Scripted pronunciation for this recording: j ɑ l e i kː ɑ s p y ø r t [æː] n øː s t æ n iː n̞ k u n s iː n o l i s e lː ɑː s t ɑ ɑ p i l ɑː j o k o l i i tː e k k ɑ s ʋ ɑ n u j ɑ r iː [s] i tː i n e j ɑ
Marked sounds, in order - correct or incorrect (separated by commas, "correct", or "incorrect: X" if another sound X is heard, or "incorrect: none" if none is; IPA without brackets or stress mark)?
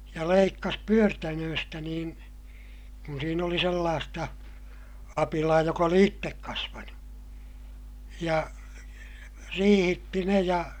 incorrect: æ, incorrect: h